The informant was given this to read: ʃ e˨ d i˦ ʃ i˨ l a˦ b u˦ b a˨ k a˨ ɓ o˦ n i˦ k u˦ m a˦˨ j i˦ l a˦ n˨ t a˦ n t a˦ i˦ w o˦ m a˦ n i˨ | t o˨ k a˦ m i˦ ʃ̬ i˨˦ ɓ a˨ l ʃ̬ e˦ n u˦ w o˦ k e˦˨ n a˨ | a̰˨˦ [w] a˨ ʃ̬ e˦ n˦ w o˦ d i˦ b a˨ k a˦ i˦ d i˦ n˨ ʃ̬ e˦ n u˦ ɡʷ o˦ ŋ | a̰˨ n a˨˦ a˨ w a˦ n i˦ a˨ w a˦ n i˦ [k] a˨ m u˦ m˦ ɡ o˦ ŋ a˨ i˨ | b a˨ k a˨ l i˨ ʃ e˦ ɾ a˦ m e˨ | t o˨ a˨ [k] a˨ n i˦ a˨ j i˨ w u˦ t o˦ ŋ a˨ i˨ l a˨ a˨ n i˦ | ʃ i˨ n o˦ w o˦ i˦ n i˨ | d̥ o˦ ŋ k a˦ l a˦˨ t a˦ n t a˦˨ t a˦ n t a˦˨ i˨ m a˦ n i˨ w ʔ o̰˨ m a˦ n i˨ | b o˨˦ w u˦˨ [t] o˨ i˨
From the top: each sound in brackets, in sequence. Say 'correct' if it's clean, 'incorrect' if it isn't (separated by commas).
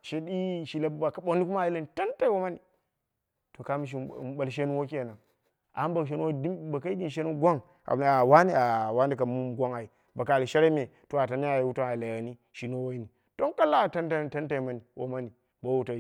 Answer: incorrect, correct, incorrect, correct